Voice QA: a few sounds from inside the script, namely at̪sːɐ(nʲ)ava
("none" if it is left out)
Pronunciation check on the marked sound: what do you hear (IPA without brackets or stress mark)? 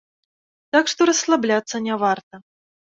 nʲ